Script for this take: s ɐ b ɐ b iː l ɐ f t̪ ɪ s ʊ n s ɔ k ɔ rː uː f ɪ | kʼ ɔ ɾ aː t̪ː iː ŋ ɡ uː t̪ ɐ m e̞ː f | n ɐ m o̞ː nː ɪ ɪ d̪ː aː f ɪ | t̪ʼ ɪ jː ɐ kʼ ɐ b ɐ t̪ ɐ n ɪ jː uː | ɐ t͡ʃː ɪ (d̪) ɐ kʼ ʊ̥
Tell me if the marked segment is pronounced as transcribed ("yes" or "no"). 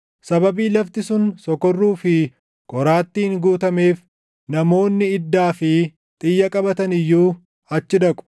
yes